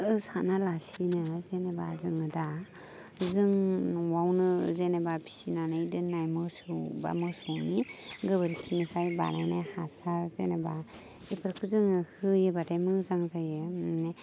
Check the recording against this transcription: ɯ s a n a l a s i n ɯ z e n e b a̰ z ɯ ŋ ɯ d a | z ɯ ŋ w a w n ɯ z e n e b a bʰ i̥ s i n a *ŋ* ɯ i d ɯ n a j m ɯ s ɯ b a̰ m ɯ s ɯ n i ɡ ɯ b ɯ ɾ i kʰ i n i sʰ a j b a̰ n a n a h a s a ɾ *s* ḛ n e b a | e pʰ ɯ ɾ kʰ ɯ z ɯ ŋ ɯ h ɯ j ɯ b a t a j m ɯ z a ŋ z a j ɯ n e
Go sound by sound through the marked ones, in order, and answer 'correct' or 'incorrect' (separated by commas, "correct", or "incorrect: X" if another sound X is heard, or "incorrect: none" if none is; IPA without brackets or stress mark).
incorrect: n, incorrect: z